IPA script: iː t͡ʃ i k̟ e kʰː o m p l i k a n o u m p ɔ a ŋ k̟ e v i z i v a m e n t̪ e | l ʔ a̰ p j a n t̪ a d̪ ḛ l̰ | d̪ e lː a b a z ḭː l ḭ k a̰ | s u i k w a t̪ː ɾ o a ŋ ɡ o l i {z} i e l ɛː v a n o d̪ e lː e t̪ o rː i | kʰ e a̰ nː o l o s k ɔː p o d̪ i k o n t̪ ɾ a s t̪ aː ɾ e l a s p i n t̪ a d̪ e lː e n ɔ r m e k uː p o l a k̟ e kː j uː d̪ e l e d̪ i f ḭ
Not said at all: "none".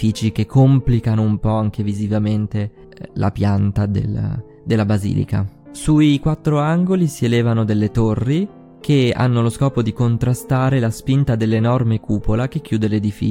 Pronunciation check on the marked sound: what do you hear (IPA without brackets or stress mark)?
s